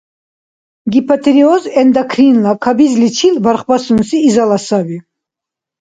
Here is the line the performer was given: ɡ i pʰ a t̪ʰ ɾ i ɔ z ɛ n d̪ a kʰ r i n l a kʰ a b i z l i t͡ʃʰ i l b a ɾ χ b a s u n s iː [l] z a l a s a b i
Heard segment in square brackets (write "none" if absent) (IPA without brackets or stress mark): none